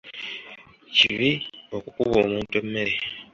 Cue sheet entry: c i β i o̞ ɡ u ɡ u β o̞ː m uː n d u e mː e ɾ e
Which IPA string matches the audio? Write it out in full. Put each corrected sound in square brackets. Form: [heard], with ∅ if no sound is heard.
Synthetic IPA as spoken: c i β i o̞ [k] u [k] u β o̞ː m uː n [t] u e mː e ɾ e

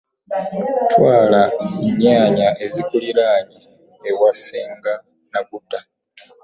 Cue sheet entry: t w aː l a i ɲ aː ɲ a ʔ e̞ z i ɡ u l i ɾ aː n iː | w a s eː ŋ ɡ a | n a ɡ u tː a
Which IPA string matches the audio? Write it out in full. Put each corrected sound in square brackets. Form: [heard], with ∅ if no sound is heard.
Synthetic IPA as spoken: t w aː l a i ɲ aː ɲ a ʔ e̞ z i [k] u l i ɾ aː [ɲ] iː | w a s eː ŋ ɡ a | n a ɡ u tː a

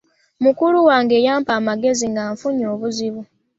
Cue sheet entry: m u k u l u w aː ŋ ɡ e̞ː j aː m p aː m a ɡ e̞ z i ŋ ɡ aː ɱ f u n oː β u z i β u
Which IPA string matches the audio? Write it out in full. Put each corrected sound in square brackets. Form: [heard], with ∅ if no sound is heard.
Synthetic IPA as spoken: m u k u l u w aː ŋ ɡ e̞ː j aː m p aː m a ɡ e̞ z i ŋ ɡ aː ɱ f u [ɲ] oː β u z i β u

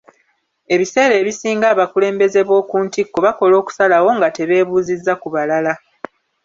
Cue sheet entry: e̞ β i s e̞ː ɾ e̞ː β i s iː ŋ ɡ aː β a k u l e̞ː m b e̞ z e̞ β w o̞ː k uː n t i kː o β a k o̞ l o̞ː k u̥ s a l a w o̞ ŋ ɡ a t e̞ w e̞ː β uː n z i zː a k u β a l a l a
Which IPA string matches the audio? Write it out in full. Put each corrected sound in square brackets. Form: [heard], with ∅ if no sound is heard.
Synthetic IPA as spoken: e̞ β i s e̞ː ɾ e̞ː β i s iː ŋ ɡ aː β a k u l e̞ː m b e̞ z e̞ β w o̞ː k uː n t i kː o β a k o̞ l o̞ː k u̥ s a l a w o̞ ŋ ɡ a t e̞ [β] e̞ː β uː [∅] z i zː a k u β a l a l a

